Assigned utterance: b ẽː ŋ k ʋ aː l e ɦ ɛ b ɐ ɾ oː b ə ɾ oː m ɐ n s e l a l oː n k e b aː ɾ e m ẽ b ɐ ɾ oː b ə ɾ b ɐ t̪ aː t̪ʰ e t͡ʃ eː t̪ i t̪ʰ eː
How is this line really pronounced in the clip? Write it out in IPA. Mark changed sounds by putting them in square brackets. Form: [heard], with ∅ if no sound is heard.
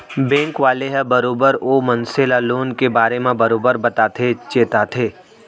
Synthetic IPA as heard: b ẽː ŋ k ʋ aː l e ɦ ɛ b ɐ ɾ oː b ə ɾ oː m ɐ n s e l a l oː n k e b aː ɾ e m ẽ b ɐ ɾ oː b ə ɾ b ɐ t̪ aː t̪ʰ e t͡ʃ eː t̪ [a] t̪ʰ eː